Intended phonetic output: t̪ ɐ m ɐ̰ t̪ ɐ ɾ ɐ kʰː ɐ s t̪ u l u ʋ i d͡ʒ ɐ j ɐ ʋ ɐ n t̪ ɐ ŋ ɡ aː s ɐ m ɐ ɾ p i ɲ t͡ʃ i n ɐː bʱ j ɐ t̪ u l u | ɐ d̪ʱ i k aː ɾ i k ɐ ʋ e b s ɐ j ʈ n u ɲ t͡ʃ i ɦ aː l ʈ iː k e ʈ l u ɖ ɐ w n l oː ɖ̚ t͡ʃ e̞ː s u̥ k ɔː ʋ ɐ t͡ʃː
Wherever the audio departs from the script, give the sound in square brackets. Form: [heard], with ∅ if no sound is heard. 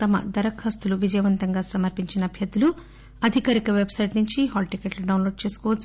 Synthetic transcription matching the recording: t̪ ɐ m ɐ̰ [d̪] ɐ ɾ ɐ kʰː ɐ s t̪ u l u ʋ i d͡ʒ ɐ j ɐ ʋ ɐ n t̪ ɐ ŋ ɡ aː s ɐ m ɐ ɾ p i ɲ t͡ʃ i n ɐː bʱ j ɐ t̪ u l u | ɐ d̪ʱ i k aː ɾ i k ɐ ʋ e b s ɐ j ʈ n u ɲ t͡ʃ i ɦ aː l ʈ [i] k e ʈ l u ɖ ɐ w n l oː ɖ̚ t͡ʃ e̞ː s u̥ k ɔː ʋ ɐ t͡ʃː